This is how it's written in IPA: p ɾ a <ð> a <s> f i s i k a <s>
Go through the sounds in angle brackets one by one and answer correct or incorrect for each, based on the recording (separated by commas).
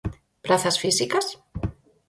incorrect, correct, correct